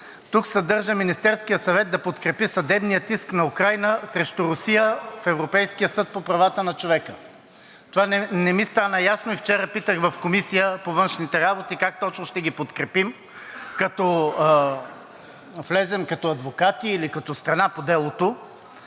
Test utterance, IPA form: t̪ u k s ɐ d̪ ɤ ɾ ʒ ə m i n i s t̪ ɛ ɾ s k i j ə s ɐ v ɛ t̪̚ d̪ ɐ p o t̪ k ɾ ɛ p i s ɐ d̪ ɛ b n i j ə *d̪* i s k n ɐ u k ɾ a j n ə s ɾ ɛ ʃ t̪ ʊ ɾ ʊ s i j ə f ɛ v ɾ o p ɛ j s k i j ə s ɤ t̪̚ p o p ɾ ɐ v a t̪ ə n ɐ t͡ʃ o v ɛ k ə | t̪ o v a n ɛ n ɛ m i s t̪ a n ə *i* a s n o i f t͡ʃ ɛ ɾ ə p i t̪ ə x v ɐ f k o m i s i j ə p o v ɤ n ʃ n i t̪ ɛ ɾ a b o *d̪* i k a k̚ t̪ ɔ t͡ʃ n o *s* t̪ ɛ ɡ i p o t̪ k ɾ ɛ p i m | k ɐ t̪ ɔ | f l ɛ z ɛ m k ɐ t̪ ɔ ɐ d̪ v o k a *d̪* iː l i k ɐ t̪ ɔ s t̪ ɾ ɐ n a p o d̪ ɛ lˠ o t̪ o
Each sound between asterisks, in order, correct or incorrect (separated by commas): incorrect, incorrect, incorrect, incorrect, incorrect